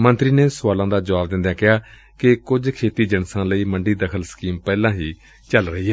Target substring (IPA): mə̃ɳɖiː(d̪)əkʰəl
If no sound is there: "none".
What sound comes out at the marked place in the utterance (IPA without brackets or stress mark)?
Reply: d̪